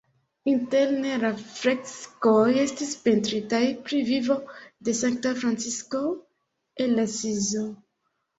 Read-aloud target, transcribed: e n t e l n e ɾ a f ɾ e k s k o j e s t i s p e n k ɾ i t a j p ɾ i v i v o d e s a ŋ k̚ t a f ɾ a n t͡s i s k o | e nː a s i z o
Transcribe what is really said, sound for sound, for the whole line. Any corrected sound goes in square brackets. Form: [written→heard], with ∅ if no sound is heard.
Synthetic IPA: [e→i] n t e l n e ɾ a f ɾ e k s k o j e s t i s p e n [k→t] ɾ i t a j p ɾ i v i v o d e s a ŋ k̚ t a f ɾ a n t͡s i s k o | e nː a s i z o